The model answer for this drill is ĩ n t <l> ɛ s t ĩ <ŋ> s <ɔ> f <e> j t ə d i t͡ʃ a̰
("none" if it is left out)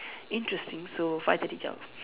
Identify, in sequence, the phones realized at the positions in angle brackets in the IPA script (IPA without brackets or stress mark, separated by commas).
ɹ, ŋ, o, a